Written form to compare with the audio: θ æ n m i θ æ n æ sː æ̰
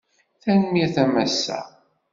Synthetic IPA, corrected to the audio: θ æ n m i θ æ m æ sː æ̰